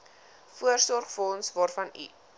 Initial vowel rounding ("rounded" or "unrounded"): rounded